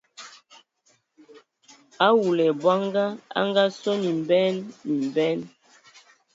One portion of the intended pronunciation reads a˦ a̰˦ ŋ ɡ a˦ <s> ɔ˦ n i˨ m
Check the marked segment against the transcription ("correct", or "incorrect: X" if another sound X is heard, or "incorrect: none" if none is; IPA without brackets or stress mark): correct